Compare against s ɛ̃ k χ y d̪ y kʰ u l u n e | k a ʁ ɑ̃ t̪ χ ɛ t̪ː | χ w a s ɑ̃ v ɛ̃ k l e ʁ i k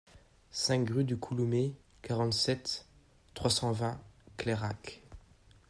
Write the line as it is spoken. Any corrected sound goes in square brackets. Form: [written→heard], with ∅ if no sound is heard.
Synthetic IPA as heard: s ɛ̃ k [χ→ʁ] y d̪ y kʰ u l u [n→m] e | k a ʁ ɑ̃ t̪ [χ→s] ɛ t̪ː | χ w a s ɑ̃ v ɛ̃ k l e ʁ [i→a] k